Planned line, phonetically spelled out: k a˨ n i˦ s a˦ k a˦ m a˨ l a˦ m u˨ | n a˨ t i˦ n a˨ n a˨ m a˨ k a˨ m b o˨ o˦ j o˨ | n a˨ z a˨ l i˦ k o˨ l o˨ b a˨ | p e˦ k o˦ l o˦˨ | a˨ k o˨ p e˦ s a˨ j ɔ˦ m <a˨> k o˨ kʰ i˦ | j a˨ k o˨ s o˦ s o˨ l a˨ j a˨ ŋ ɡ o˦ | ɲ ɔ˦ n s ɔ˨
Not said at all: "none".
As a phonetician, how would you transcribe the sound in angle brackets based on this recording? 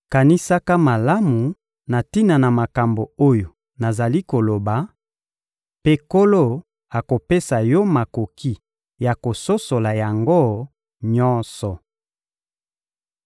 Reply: a˨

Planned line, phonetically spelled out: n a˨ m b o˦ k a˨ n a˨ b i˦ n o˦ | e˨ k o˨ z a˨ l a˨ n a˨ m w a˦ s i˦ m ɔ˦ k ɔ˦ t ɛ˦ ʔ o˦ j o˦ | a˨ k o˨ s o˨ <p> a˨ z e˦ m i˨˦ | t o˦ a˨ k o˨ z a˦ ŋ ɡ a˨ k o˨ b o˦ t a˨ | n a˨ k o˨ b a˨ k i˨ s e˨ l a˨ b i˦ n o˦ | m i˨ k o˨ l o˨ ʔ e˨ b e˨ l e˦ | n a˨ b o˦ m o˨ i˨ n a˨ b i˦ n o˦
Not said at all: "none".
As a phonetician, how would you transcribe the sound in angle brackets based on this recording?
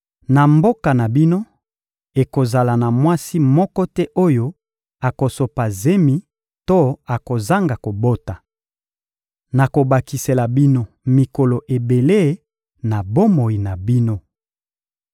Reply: p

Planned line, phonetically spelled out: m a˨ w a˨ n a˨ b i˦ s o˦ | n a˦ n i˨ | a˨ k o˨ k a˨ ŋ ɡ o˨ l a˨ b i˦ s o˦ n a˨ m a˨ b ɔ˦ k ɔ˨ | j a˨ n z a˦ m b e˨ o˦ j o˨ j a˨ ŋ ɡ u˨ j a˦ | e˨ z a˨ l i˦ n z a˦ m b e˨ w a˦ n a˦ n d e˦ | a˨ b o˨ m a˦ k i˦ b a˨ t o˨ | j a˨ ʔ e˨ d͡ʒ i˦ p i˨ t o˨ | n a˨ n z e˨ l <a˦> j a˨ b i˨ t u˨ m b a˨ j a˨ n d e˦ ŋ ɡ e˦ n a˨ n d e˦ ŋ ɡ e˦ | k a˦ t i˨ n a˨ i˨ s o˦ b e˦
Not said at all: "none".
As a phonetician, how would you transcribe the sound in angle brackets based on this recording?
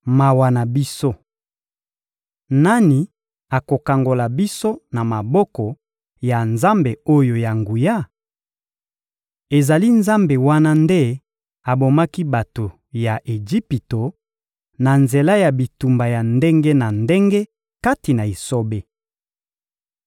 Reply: a˦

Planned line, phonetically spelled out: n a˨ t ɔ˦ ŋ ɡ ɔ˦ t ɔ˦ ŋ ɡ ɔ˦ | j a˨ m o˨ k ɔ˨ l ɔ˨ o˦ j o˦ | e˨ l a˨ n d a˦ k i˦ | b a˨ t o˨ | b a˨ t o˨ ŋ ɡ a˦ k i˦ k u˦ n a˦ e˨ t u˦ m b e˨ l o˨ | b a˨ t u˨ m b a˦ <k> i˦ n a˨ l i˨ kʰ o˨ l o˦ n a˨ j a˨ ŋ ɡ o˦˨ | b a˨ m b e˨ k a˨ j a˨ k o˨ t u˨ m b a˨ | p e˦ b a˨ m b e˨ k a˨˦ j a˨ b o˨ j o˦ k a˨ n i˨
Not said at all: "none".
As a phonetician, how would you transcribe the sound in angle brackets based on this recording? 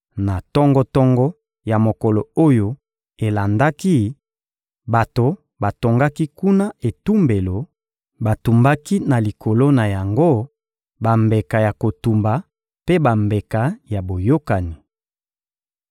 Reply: k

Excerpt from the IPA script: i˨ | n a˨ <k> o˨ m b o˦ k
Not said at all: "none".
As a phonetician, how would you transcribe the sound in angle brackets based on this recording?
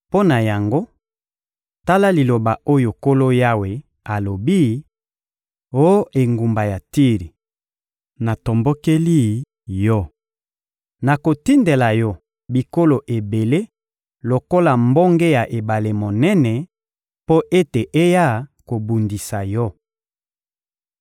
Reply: t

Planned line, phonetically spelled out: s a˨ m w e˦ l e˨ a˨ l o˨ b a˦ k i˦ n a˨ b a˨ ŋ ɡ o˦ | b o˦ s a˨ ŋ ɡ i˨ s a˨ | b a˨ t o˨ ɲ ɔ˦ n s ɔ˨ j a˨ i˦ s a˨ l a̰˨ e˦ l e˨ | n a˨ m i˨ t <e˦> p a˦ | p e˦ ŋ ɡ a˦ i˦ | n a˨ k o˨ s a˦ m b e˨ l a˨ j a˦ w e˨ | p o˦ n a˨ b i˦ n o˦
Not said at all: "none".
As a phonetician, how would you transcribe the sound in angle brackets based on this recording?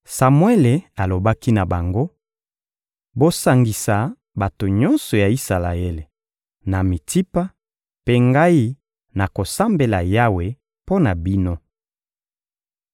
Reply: i˦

